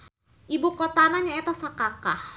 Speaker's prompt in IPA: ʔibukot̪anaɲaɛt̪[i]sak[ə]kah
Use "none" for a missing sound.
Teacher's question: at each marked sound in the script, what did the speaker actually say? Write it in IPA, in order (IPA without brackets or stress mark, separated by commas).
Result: a, a